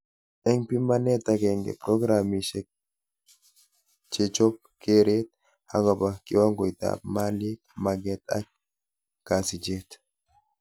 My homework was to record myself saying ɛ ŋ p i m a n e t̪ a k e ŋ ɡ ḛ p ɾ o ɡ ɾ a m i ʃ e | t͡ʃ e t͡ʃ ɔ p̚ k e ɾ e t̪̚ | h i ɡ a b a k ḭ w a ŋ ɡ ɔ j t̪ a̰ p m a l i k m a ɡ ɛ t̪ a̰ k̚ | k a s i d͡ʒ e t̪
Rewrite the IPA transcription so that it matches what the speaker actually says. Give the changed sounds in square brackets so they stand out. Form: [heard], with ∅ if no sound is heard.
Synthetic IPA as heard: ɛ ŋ p i m a n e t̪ a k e ŋ ɡ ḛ p ɾ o ɡ ɾ a m i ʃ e | t͡ʃ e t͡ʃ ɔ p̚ k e ɾ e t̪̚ | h [a] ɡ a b a k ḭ w a ŋ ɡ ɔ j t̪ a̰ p m a l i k m a ɡ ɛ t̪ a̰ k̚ | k a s i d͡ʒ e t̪

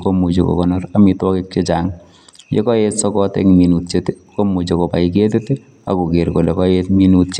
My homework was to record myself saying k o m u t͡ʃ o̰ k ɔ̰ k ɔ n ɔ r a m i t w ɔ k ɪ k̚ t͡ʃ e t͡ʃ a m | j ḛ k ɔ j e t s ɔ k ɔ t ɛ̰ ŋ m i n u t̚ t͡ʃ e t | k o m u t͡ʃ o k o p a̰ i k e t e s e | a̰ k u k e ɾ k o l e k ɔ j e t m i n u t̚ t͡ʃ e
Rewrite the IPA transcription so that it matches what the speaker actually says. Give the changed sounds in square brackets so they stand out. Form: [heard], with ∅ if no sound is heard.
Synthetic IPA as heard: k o m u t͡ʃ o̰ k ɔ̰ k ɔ n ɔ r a m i t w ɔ k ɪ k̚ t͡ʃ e t͡ʃ a [ŋ] | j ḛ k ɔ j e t s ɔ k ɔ t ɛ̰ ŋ m i n u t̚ t͡ʃ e t | k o m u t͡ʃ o k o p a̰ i k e t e [t] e | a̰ k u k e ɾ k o l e k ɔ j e t m i n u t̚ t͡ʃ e

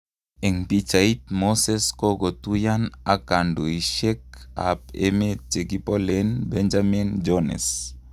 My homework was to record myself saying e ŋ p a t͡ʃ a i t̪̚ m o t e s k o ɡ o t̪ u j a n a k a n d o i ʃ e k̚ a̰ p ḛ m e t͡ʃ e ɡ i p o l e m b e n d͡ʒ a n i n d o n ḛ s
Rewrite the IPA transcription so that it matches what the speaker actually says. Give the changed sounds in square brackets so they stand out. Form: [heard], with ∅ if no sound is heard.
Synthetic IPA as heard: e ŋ p [i] t͡ʃ a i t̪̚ m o [s] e s k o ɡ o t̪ u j a n a k a n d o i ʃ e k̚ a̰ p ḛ m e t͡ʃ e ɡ i p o l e [n] b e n d͡ʒ a [m] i n [d͡ʒ] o n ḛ s

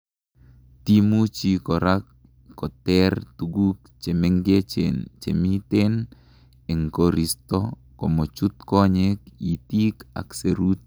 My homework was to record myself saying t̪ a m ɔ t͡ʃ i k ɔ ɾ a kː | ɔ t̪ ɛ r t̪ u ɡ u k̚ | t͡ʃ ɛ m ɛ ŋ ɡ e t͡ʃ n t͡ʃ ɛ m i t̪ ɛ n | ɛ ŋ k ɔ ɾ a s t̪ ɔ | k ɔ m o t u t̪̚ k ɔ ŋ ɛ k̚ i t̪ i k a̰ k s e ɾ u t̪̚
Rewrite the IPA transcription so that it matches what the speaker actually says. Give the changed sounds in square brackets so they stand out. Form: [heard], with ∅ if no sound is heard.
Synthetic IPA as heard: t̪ [i] m [u] t͡ʃ i k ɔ ɾ a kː | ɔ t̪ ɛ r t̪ u ɡ u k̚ | t͡ʃ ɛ m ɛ ŋ ɡ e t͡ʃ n t͡ʃ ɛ m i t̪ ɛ n | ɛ ŋ k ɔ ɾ [i] s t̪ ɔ | k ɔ m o [t͡ʃ] u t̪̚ k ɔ [ɲ] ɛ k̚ i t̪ i k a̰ k s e ɾ u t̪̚

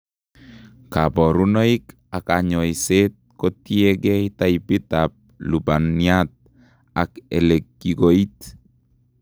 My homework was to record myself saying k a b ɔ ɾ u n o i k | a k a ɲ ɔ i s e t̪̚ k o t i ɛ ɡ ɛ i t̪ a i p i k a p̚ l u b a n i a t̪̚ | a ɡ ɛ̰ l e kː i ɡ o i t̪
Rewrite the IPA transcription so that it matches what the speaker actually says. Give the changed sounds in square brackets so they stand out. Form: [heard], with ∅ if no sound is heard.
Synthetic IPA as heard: k a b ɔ ɾ u n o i k | a k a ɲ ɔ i s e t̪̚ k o t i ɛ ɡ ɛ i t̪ a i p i [t] a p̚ l u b a n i a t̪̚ | a [k] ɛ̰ l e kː i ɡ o i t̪

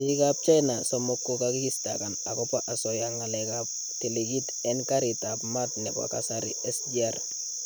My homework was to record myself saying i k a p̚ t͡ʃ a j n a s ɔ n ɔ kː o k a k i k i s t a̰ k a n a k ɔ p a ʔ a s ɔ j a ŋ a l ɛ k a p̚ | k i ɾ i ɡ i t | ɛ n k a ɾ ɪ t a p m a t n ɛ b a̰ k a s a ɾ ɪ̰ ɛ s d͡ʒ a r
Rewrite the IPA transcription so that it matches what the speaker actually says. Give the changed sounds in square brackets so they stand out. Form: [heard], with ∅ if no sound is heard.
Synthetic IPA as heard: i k a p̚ t͡ʃ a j n a s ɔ [m] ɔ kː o k a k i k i s t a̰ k a n a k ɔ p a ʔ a s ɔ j a ŋ a l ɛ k a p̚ | [t] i [l] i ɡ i t | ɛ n k a ɾ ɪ t a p m a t n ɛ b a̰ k a s a ɾ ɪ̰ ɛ s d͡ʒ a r

